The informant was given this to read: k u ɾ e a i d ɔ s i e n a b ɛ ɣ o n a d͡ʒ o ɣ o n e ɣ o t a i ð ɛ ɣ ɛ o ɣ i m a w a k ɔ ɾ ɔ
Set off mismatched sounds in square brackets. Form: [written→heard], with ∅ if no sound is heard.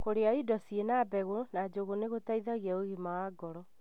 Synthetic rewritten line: k [u→o] ɾ e a i d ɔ s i e n a b ɛ ɣ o n a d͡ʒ o ɣ o n e ɣ o t a i ð [ɛ→a] ɣ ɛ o ɣ i m a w a [k→ɡ] ɔ ɾ ɔ